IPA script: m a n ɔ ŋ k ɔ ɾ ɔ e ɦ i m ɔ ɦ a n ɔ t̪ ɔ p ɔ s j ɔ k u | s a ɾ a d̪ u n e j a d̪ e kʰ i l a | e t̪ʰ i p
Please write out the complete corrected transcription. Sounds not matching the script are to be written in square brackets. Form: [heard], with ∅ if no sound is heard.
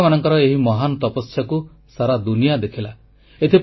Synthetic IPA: m a n ɔ ŋ k ɔ ɾ ɔ e ɦ i m ɔ ɦ a n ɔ t̪ ɔ p ɔ s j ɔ k u | s a ɾ a d̪ u n [i] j a d̪ e kʰ i l a | e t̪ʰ i p

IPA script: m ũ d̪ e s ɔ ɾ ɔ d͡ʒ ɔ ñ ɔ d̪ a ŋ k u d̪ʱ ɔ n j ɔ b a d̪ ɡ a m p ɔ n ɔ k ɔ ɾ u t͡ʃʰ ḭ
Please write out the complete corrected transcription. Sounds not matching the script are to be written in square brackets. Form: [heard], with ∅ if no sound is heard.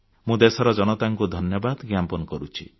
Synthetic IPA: m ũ d̪ e s ɔ ɾ ɔ d͡ʒ ɔ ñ ɔ [t̪] a ŋ k u d̪ʱ ɔ n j ɔ b a d̪ ɡ a m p ɔ n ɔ k ɔ ɾ u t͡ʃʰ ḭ

